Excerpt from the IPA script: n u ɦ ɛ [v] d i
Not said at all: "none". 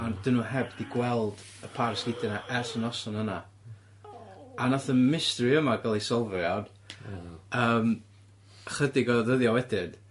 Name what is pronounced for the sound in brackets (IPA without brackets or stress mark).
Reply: b